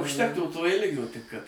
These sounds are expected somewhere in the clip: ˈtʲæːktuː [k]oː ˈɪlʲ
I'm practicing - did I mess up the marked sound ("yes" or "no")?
yes